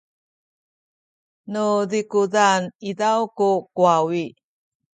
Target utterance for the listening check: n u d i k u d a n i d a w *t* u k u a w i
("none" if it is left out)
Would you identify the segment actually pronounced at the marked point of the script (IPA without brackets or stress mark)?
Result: k